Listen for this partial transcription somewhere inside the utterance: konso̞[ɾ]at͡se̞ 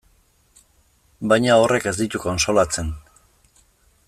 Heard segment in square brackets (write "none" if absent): l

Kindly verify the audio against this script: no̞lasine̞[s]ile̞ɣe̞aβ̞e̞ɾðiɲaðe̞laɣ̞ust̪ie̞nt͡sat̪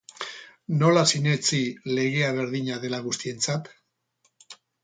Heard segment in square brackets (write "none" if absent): t͡s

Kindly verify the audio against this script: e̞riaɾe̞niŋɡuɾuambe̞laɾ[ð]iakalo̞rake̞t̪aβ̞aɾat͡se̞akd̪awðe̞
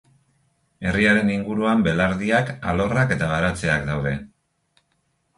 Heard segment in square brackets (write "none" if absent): ð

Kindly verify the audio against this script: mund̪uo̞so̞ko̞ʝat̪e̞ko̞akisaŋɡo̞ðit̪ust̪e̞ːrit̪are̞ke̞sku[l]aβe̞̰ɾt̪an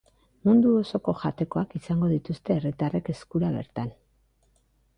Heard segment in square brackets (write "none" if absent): ɾ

